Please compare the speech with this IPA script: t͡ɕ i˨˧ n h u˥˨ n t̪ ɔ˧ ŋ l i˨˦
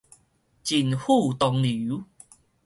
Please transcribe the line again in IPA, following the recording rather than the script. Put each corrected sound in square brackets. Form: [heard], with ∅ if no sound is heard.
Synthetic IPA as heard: t͡ɕ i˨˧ n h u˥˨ [∅] t̪ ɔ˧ ŋ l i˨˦